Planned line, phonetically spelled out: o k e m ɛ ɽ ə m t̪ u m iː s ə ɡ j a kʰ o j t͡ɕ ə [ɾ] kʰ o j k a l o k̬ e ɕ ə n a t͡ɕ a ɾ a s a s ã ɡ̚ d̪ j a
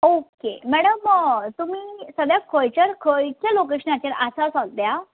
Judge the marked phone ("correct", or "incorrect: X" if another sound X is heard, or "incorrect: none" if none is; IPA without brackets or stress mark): correct